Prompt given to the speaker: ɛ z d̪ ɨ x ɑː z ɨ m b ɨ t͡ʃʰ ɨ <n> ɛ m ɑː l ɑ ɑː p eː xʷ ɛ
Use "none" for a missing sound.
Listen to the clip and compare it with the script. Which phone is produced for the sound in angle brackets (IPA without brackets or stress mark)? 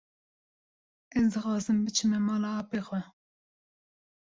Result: m